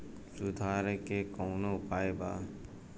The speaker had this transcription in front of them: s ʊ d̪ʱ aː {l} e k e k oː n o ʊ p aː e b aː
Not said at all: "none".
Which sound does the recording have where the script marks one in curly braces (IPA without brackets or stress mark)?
ɾ